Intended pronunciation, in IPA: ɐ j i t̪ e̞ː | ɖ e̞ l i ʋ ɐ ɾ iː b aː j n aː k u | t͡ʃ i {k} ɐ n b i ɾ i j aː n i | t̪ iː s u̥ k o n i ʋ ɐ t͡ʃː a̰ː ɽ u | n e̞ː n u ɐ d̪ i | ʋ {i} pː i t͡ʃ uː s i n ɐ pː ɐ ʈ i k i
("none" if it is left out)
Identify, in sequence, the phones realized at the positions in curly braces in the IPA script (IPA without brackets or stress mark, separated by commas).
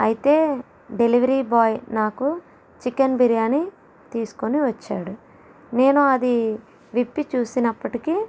k, i